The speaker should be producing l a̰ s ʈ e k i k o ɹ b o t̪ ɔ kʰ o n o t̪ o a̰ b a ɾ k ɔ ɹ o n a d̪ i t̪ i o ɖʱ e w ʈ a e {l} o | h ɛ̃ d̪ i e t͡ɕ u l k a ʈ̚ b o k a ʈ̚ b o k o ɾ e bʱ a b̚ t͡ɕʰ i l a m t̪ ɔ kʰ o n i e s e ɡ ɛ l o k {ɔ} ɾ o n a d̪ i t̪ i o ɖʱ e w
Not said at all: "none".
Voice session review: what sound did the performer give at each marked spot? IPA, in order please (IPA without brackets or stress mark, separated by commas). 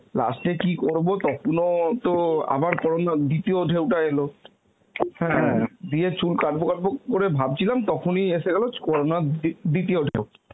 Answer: l, ɔ